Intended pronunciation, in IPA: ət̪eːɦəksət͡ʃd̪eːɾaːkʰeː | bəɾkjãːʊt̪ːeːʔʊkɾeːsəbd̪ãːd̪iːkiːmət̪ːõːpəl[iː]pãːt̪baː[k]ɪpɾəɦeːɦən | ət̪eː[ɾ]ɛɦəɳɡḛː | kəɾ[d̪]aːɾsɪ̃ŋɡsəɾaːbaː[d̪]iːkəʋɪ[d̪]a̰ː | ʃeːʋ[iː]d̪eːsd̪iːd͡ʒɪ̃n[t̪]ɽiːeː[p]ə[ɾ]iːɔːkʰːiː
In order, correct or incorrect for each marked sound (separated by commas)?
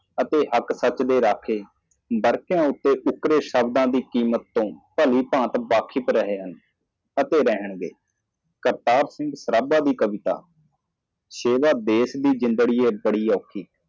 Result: correct, incorrect, correct, incorrect, correct, incorrect, incorrect, incorrect, incorrect, incorrect